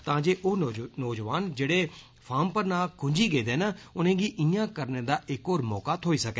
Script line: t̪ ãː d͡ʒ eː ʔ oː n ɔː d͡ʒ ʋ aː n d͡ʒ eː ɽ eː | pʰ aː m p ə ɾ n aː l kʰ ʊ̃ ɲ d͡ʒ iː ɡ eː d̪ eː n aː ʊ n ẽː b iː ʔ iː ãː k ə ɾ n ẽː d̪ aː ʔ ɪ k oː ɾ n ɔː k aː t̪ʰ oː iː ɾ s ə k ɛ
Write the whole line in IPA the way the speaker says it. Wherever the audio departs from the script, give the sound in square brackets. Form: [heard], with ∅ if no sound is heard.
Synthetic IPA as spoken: t̪ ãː d͡ʒ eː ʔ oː n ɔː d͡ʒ ʋ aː n d͡ʒ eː ɽ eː | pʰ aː m p ə ɾ n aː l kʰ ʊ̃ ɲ d͡ʒ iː ɡ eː d̪ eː n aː ʊ n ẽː [ɡ] iː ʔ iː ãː k ə ɾ n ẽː d̪ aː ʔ ɪ k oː ɾ [m] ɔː k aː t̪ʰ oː iː [∅] s ə k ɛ